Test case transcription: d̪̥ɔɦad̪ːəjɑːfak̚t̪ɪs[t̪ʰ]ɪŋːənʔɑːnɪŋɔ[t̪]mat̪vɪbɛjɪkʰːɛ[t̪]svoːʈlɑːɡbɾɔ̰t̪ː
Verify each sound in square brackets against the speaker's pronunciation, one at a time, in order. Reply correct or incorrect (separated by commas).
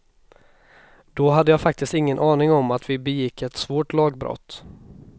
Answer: incorrect, incorrect, correct